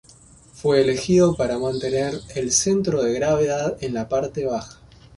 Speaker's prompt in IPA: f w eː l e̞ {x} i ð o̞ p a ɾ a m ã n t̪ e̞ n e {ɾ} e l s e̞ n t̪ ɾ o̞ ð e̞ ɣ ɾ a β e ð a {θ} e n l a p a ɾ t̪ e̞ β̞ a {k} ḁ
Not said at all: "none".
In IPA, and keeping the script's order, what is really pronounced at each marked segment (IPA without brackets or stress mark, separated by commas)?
x, ɾ, ð, x